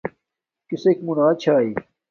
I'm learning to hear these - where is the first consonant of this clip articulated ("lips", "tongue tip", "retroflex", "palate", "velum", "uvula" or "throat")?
velum